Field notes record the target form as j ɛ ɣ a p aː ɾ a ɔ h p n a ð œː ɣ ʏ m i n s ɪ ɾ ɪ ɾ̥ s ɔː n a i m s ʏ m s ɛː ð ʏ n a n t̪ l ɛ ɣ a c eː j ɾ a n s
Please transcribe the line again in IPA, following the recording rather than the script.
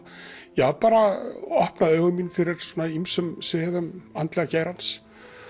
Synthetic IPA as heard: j ɛ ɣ a p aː ɾ a ɔ h p n a ð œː ɣ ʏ m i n f ɪ ɾ ɪ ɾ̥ s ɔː n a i m s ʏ m s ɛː ð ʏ m a n t̪ l ɛ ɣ a c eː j ɾ a n s